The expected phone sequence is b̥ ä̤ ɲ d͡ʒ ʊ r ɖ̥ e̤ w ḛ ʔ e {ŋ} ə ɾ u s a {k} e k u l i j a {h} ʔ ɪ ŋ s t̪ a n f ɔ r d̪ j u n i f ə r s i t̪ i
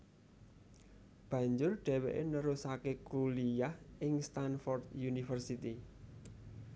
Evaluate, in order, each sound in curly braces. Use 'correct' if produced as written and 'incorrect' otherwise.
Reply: incorrect: n, correct, correct

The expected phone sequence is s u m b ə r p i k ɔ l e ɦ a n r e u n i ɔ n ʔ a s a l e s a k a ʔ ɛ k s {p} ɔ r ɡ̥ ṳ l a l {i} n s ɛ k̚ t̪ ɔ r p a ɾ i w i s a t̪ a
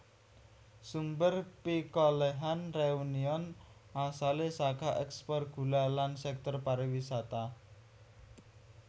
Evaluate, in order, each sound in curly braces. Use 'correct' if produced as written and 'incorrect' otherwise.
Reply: correct, incorrect: a

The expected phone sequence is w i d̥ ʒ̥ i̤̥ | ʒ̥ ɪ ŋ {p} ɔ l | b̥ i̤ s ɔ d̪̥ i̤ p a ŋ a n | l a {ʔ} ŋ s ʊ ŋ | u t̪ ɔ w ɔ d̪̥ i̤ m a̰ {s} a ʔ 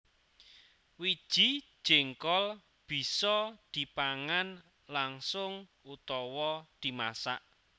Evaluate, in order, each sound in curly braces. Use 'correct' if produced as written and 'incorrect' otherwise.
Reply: incorrect: k, incorrect: none, correct

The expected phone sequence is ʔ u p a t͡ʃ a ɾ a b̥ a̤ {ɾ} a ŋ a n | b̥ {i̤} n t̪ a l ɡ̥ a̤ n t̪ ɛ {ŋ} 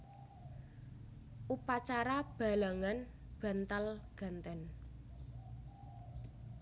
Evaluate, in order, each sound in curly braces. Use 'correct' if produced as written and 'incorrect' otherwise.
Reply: incorrect: l, incorrect: a̤, incorrect: n

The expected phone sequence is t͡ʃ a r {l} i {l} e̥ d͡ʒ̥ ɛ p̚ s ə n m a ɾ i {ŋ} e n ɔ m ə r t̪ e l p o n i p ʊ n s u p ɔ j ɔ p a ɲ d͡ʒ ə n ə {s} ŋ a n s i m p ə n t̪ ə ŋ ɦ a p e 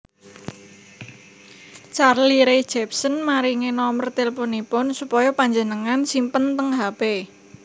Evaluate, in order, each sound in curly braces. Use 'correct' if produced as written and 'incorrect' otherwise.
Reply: correct, incorrect: ɾ, correct, incorrect: none

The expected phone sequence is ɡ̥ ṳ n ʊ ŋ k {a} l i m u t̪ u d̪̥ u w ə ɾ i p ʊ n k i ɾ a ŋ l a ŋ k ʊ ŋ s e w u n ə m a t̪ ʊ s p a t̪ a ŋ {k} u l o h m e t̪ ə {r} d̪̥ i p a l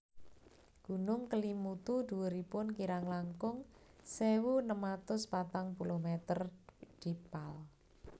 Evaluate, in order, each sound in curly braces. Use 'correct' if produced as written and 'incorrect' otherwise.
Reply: incorrect: ə, incorrect: p, correct

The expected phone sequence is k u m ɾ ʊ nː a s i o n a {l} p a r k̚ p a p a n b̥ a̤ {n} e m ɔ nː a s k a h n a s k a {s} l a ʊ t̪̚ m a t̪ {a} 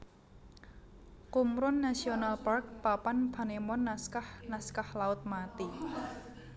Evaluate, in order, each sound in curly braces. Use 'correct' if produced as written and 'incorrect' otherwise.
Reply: correct, correct, incorrect: h, incorrect: i

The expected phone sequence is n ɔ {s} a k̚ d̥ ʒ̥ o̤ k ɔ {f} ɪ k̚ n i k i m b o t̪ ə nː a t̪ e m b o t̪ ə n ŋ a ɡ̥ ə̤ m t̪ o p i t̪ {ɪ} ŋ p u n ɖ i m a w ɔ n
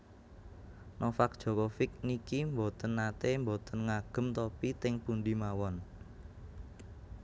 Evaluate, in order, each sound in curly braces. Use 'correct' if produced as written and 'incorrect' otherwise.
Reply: incorrect: f, correct, correct

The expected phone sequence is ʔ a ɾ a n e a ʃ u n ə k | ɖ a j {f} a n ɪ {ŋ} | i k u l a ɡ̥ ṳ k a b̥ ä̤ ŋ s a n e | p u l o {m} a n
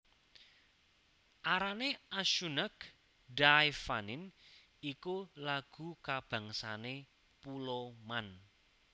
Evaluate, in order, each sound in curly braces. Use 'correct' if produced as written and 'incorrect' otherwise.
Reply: correct, incorrect: n, correct

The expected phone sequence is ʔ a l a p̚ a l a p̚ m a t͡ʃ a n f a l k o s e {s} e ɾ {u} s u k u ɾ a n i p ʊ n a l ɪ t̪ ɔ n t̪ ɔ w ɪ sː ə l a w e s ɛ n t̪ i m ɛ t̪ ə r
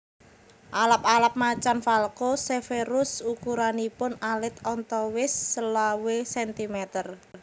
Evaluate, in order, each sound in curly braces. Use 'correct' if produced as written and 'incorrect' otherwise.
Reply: incorrect: f, incorrect: ʊ

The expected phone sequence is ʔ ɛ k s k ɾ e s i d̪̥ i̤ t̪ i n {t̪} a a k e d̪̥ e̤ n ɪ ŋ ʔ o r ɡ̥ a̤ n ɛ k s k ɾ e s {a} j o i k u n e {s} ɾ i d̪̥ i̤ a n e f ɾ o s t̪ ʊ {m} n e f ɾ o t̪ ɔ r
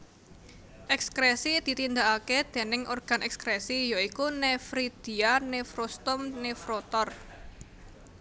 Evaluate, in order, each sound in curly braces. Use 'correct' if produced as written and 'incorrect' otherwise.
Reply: incorrect: d̪, incorrect: i, incorrect: f, correct

